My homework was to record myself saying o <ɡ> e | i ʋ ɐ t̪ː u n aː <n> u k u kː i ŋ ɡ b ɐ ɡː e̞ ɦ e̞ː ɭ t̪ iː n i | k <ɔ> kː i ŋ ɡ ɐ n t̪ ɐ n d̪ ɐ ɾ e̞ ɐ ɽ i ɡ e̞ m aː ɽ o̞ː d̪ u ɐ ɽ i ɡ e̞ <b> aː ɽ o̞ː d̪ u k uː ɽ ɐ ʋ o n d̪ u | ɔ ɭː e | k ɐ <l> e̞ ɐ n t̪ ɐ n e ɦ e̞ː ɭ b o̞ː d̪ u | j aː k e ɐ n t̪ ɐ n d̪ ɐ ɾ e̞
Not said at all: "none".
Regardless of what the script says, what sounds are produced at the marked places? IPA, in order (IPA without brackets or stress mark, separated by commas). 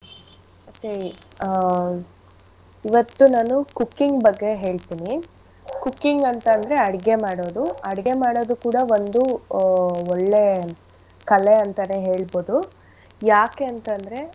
k, n, u, m, l